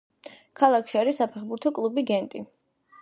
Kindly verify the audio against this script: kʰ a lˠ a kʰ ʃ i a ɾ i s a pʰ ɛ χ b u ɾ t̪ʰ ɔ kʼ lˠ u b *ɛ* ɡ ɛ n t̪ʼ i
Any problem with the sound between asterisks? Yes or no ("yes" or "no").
yes